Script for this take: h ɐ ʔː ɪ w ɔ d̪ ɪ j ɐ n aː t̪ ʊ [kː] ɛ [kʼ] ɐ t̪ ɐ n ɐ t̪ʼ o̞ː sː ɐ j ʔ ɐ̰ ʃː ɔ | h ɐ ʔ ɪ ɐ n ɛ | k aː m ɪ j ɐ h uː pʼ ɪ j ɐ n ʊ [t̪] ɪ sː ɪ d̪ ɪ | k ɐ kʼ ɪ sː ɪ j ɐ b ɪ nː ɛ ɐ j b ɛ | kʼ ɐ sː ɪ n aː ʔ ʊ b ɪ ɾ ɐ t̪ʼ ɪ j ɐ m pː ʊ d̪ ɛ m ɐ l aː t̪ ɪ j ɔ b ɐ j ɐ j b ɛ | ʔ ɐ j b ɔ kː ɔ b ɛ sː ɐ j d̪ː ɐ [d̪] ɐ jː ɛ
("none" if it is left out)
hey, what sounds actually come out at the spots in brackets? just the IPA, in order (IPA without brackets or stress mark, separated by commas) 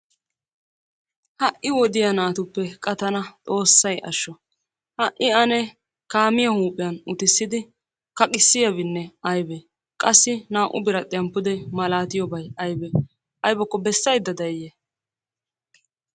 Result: pː, kʼ, t̪, d̪